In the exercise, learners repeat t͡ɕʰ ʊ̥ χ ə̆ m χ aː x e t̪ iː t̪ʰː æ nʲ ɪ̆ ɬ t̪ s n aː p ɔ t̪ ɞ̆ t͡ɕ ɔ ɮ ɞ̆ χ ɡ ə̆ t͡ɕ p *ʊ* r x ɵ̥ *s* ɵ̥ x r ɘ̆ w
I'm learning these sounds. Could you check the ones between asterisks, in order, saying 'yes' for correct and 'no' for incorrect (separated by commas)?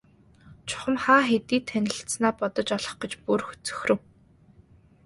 no, no